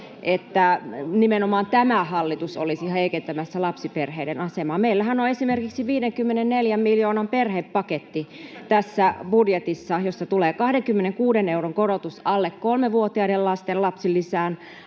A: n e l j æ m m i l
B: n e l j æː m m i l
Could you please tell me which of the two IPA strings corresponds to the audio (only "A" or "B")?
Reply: A